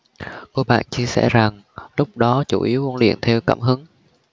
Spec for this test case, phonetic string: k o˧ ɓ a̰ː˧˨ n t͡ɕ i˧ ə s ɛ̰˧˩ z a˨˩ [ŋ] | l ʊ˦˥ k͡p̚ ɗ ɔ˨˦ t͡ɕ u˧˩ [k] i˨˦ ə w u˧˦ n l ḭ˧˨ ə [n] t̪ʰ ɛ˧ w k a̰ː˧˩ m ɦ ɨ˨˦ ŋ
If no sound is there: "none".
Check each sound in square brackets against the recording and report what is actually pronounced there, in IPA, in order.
ŋ, ʔ, n

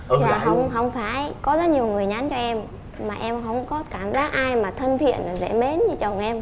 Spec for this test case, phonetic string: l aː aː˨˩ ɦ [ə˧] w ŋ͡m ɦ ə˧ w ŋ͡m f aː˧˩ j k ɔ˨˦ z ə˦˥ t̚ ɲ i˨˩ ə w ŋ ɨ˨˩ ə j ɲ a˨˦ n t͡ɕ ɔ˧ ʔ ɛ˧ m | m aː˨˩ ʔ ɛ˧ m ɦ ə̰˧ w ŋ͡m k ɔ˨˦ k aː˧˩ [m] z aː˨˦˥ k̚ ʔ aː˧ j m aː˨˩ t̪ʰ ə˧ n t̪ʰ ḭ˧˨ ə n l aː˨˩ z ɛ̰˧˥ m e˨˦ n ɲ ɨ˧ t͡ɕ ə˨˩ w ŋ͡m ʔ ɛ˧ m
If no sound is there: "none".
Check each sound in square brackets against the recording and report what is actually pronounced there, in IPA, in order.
ə˧, m

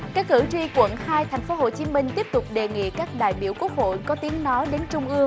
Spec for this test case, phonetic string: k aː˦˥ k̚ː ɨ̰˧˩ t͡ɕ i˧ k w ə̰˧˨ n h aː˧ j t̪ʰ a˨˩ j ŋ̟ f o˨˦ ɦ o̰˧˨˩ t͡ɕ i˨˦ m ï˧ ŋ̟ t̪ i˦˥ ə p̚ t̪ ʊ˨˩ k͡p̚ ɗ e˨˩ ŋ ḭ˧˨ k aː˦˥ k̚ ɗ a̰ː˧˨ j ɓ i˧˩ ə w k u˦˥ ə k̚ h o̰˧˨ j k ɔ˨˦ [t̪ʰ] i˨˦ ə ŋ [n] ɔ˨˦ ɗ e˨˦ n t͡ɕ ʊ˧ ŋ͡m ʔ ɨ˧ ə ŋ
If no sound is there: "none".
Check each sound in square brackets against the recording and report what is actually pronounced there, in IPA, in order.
t̪, n

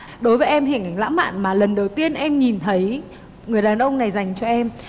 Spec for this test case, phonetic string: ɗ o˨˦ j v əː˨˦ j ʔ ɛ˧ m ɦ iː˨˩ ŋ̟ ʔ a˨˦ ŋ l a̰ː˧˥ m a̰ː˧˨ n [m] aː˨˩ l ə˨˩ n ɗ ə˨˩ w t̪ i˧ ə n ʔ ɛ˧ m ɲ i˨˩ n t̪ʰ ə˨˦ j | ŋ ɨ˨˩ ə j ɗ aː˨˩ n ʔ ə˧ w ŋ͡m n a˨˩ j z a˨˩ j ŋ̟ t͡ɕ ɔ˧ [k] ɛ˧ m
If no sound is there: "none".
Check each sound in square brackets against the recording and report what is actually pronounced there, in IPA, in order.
m, ʔ

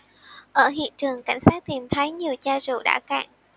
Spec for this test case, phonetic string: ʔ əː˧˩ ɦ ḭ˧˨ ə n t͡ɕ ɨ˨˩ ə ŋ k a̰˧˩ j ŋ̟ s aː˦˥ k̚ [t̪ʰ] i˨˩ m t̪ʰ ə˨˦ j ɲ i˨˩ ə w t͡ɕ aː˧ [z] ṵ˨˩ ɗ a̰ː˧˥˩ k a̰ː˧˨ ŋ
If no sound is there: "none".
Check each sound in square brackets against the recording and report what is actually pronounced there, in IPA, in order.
t̪, z

